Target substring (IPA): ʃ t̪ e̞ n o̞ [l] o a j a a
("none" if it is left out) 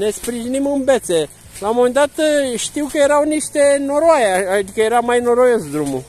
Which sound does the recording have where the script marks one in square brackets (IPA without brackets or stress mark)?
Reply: ɾ